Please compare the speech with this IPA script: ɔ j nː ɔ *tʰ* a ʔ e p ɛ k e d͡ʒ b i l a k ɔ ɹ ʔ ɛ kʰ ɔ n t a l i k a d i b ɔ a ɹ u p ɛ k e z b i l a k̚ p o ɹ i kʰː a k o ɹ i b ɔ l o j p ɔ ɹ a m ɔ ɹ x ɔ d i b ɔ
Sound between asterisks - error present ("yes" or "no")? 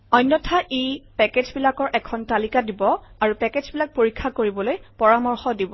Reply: no